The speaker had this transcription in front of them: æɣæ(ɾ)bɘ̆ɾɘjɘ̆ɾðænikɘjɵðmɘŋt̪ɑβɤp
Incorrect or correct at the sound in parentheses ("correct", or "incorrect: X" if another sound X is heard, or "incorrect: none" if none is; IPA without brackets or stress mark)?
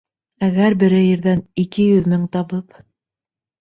correct